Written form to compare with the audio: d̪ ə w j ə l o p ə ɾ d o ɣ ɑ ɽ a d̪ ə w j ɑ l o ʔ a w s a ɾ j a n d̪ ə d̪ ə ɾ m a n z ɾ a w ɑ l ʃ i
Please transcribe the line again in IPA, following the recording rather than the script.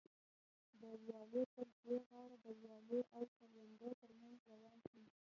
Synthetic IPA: d̪ ə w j ɑ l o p ə ɾ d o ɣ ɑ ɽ a d̪ ə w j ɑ l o ʔ a w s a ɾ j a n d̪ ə t̪ ə ɾ m a n z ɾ a w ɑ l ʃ i